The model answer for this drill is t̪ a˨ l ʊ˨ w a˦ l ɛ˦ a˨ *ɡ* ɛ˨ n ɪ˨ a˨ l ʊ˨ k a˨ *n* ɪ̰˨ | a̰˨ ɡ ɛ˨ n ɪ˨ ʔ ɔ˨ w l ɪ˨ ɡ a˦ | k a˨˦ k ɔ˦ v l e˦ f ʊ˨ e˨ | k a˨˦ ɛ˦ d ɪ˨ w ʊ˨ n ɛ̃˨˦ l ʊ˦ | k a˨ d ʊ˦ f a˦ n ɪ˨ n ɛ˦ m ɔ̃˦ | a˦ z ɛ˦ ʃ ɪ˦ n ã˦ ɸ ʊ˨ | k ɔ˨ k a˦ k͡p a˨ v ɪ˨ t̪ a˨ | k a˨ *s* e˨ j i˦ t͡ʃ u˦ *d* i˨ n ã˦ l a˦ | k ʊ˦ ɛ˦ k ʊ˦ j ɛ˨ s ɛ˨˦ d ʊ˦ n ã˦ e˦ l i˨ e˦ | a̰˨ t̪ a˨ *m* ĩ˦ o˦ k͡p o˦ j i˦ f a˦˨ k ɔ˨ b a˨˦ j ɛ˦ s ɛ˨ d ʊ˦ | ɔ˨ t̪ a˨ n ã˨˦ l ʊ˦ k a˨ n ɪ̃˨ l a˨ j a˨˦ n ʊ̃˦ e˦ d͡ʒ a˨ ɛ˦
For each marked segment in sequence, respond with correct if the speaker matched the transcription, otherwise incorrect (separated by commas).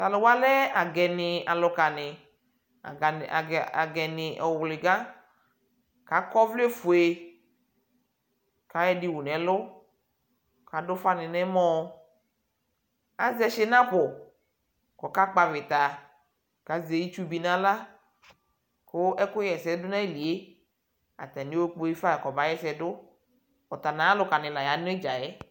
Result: correct, correct, incorrect, incorrect, incorrect